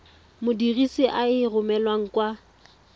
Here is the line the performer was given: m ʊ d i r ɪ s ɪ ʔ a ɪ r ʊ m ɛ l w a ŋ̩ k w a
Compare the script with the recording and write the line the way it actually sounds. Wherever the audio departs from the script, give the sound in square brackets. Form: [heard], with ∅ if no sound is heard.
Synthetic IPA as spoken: m ʊ d i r [i] s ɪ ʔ a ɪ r ʊ m ɛ l w a ŋ̩ k w a